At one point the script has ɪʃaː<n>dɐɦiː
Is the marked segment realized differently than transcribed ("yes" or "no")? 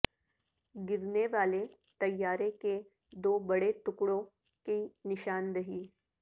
no